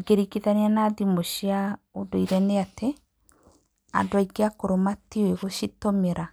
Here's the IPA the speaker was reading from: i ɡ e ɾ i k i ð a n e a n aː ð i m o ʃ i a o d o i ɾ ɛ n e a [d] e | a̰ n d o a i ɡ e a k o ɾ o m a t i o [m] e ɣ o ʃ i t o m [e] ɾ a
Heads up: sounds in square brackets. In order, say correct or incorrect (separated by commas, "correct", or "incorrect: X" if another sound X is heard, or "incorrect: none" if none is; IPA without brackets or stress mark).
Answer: incorrect: t, incorrect: none, correct